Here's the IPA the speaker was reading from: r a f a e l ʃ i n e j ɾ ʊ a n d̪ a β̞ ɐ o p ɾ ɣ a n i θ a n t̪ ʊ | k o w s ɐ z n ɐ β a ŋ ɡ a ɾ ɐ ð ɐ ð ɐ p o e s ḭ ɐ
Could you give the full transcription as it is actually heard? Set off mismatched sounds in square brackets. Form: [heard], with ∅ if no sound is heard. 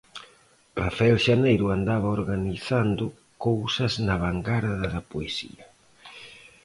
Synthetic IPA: r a f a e l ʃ [a] n e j ɾ ʊ a n d̪ a β̞ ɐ o [∅] ɾ ɣ a n i θ a n [d̪] ʊ | k o w s ɐ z n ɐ β a ŋ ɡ a ɾ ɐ ð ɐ ð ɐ p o e s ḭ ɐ